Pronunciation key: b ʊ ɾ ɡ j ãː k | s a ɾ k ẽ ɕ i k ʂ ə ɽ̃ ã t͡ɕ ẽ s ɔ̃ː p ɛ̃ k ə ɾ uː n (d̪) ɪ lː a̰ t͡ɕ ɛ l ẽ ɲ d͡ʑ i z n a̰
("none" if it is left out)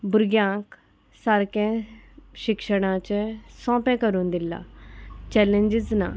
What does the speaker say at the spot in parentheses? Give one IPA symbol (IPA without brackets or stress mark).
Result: d̪